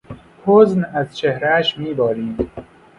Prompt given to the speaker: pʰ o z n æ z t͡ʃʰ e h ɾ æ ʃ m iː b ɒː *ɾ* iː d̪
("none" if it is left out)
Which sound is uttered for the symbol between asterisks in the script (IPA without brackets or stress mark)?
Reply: ɾ